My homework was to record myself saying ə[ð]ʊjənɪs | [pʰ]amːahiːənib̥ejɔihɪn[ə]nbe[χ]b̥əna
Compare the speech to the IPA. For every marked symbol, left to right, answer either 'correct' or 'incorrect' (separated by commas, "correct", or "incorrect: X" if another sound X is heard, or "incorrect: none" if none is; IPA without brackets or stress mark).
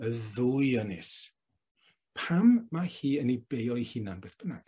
correct, correct, incorrect: a, incorrect: θ